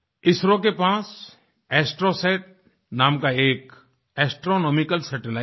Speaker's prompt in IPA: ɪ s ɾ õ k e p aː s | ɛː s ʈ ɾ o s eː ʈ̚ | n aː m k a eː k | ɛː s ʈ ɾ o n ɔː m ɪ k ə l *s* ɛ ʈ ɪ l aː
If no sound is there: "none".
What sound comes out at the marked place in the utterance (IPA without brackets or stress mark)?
s